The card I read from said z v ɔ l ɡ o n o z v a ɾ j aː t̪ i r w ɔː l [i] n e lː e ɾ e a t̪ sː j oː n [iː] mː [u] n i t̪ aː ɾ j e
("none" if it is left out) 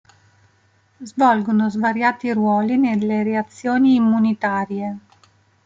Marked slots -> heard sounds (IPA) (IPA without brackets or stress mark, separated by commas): i, iː, u